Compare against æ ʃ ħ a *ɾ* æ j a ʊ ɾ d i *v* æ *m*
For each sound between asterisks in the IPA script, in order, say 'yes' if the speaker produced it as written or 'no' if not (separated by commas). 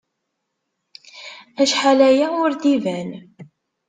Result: no, yes, no